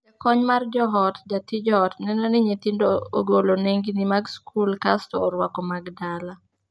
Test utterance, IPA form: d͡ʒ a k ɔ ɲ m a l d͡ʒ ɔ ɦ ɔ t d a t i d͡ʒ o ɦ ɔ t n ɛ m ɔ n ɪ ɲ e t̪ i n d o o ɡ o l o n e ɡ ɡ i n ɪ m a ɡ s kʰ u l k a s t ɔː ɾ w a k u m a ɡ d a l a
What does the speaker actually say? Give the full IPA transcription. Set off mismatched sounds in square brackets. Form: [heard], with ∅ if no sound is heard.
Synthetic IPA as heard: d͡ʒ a k ɔ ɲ m a [r] d͡ʒ ɔ ɦ ɔ t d a t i d͡ʒ [ɔ] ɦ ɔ t n ɛ [n] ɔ n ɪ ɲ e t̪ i n d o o ɡ o l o n e [ŋ] ɡ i n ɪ m a ɡ s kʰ u l k a s t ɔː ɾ w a k [ɔ] m a ɡ d a l a